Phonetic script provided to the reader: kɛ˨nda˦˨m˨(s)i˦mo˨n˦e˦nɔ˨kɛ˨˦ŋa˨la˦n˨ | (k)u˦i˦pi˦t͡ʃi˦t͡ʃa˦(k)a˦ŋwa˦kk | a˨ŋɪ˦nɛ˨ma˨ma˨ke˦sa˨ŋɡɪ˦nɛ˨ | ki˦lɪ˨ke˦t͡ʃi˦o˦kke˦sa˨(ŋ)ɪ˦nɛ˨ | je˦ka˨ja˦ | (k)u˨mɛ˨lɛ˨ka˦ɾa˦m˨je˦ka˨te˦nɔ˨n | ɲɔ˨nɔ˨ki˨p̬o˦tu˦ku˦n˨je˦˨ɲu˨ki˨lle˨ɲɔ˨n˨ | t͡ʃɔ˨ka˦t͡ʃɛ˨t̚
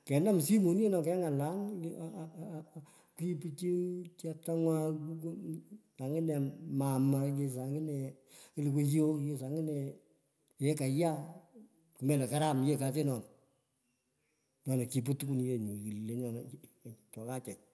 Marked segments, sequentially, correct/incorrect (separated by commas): correct, correct, incorrect, correct, correct